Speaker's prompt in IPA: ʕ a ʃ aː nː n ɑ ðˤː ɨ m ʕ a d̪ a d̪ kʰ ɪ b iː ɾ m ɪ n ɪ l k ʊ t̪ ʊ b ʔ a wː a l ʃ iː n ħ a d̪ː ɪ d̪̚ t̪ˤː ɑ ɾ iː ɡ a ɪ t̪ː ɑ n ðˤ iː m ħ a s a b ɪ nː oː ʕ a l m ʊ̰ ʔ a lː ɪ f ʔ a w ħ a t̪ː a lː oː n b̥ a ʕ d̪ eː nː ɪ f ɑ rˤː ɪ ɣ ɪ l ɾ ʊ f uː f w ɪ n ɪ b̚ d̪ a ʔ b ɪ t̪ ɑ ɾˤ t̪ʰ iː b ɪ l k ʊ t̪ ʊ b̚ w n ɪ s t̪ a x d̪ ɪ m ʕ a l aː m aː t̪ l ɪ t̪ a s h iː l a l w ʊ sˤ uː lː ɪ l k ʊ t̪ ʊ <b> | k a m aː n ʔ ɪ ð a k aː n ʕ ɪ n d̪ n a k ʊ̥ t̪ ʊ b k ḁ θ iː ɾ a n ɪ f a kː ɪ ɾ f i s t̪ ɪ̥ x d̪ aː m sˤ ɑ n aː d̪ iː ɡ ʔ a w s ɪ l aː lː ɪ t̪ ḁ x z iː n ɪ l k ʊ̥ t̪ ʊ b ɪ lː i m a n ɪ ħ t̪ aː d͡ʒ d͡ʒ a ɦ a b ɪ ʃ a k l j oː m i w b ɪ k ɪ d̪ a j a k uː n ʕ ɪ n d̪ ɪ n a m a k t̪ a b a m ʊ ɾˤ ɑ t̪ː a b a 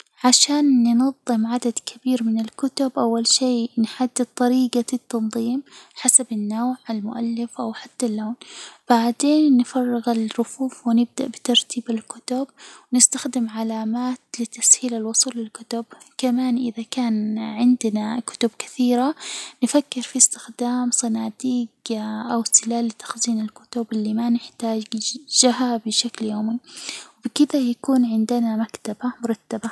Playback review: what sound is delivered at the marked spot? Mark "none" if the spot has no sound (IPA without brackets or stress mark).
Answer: b